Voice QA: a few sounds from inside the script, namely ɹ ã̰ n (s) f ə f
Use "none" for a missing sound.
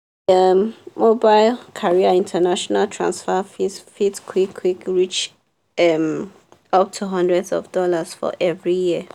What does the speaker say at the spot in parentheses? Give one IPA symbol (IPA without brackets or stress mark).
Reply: s